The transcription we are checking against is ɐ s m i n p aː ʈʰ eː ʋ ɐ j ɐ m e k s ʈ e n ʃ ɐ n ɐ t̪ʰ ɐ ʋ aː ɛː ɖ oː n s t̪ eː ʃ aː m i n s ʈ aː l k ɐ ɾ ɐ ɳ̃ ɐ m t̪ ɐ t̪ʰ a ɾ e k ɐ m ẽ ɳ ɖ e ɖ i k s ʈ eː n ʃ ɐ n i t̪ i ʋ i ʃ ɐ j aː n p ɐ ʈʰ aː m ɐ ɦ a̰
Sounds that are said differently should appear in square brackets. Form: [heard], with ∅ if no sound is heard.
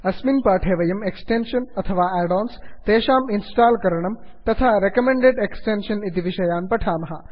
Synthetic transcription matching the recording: ɐ s m i n p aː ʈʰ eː ʋ ɐ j ɐ m e k s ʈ e n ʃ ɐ n ɐ t̪ʰ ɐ ʋ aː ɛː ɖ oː n s t̪ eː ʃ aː m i n s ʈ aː l k ɐ ɾ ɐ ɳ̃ ɐ m t̪ ɐ t̪ʰ a ɾ e k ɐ m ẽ ɳ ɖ e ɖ [e] k s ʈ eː n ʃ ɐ n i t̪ i ʋ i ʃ ɐ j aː n p ɐ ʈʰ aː m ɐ ɦ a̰

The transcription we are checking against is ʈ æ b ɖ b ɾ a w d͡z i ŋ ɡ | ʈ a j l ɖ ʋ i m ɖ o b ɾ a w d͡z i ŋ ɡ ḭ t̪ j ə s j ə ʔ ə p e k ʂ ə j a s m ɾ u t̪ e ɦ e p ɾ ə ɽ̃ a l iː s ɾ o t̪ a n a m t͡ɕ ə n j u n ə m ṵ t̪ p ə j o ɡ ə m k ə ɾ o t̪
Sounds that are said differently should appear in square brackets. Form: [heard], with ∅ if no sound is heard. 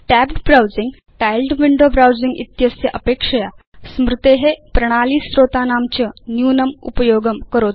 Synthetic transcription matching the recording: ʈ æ b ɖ b ɾ a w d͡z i ŋ ɡ | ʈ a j l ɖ ʋ i [ɳ] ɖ o b ɾ a w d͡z i ŋ ɡ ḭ t̪ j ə s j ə ʔ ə p e k ʂ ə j a s m ɾ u t̪ e ɦ e p ɾ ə ɽ̃ a l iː s ɾ o t̪ a n a m t͡ɕ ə n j u n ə m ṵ [∅] p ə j o ɡ ə m k ə ɾ o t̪

